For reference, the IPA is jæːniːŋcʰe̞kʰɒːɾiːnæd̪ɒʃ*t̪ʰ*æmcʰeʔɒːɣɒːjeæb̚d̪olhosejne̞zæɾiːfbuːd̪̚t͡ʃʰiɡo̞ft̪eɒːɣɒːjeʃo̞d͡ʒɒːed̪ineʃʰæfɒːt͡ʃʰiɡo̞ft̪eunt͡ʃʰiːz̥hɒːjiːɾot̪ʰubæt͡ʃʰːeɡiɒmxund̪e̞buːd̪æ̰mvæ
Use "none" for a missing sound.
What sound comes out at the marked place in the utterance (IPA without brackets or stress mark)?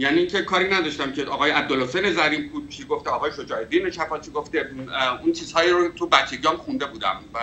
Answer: t̪